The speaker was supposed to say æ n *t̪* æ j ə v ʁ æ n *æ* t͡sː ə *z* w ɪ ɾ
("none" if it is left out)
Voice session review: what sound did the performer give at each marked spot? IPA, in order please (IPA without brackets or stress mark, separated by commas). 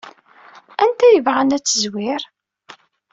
t̪, æ, z